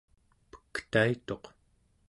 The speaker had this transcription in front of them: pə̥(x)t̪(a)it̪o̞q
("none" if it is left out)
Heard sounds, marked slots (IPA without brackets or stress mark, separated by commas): k, a